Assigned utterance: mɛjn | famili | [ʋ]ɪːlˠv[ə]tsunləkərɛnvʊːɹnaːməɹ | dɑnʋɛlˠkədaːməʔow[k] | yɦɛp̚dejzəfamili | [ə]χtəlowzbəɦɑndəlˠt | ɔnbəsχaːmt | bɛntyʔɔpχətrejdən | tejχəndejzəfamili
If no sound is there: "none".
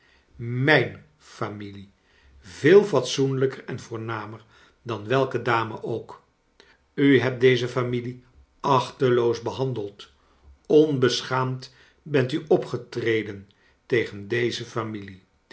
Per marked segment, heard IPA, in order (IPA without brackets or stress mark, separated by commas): v, ɑ, k, ɑ